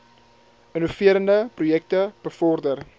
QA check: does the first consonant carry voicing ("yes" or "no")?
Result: yes